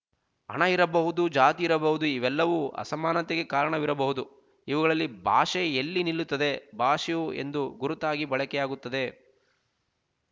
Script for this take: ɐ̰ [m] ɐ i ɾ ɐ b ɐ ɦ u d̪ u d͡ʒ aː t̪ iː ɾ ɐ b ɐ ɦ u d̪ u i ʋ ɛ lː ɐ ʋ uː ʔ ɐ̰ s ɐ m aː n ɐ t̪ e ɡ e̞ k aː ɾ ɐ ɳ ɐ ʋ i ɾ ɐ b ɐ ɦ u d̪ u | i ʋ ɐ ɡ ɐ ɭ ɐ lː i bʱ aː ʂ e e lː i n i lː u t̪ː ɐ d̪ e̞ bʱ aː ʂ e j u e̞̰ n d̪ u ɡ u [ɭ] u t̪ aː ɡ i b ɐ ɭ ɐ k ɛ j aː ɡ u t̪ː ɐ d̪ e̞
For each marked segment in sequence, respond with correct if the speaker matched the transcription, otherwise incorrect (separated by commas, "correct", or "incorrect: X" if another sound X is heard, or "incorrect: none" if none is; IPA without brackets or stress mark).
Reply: incorrect: ɳ, incorrect: ɾ